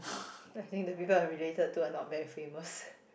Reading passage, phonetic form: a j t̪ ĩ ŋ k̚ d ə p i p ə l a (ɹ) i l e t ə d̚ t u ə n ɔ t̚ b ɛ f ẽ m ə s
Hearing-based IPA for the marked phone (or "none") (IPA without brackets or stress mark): ɹ